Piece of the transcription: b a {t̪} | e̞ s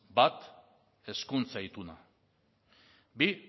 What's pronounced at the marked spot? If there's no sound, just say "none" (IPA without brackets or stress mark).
t̪